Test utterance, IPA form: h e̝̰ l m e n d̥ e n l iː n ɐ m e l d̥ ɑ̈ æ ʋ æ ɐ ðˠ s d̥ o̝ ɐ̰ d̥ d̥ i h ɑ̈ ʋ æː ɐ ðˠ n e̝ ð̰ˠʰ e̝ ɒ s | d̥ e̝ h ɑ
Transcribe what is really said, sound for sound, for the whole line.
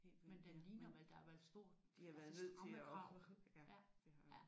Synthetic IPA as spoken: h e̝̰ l m e n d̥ e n l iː n ɐ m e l d̥ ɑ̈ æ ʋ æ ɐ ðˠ s d̥ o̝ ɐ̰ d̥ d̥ i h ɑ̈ ʋ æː ɐ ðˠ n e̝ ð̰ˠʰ e̝ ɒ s | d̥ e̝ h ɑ